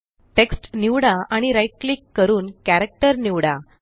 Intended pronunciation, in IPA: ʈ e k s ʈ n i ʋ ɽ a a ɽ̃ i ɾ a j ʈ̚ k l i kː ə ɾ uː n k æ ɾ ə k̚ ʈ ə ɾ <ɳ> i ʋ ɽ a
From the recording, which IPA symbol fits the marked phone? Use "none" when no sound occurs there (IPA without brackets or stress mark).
n